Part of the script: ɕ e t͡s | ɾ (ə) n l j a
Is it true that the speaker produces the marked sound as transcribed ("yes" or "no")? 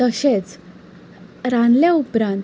no